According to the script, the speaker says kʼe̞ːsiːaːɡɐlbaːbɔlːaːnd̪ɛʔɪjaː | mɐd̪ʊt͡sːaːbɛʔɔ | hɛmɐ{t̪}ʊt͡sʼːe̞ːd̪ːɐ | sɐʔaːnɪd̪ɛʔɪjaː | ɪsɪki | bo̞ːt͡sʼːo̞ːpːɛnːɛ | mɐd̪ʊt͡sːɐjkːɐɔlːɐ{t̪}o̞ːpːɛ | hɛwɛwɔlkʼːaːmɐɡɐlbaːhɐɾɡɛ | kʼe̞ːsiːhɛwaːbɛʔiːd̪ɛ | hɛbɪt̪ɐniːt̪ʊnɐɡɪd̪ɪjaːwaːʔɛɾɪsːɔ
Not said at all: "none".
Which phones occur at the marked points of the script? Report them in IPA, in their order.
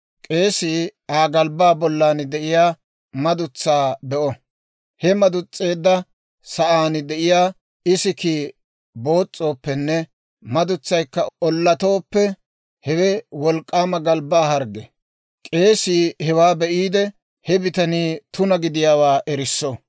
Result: d̪, t̪

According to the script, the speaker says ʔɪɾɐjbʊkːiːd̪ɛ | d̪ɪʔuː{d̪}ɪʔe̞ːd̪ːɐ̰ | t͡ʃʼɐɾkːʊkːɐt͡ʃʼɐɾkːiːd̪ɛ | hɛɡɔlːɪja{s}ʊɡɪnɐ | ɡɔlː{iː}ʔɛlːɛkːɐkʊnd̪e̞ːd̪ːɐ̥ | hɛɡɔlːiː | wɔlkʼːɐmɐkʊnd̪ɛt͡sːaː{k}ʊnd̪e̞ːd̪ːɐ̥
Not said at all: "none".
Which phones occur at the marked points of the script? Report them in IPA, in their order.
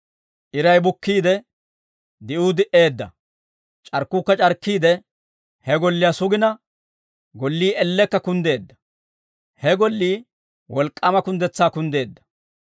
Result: d̪, s, iː, k

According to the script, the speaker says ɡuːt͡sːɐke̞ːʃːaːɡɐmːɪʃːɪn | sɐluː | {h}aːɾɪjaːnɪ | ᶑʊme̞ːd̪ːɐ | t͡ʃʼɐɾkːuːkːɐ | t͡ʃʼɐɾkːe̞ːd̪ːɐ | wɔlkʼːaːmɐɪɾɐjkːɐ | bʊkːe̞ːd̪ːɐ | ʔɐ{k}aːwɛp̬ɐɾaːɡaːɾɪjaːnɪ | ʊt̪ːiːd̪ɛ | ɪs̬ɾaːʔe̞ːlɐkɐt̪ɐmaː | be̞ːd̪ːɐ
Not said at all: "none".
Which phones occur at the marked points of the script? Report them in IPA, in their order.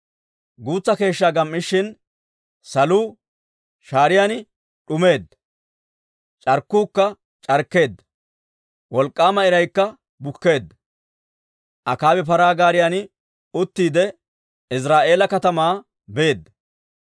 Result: ʃ, k

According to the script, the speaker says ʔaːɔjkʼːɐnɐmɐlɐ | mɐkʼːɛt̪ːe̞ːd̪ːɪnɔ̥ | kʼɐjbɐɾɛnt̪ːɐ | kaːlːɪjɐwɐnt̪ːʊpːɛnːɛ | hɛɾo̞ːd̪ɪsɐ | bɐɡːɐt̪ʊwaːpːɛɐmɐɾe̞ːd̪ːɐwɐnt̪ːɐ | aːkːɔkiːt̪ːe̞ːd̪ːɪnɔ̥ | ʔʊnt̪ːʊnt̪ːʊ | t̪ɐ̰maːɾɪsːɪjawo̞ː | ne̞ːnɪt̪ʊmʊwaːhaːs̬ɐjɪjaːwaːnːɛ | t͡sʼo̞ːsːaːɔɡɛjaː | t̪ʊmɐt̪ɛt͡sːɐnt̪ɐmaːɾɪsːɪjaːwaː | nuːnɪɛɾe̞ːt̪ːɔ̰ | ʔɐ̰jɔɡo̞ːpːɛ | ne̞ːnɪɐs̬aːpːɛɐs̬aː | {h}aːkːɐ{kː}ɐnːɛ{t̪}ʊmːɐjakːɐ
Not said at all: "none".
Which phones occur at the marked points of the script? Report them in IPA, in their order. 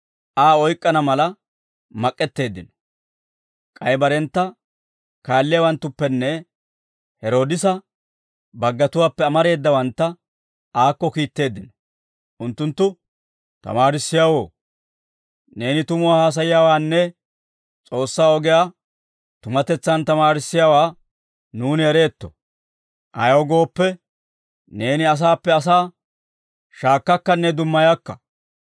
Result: ʃ, kː, d̪

